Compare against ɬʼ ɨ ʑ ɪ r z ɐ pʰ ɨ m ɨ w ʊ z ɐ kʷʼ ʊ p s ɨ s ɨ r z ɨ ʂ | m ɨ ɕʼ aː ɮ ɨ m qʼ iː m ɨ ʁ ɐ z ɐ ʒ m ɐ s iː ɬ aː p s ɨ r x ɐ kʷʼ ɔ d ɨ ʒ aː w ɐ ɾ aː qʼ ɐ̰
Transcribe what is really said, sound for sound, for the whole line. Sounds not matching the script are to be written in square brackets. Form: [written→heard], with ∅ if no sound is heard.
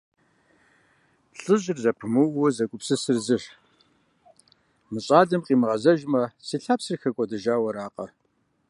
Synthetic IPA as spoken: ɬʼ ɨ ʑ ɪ r z ɐ pʰ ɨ m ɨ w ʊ z ɐ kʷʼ ʊ p s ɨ s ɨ r z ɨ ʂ | m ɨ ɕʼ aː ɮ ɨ m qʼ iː m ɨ ʁ ɐ z ɐ ʒ m ɐ s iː ɬ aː p s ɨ r x ɐ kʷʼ ɔ d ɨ ʒ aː w ɐ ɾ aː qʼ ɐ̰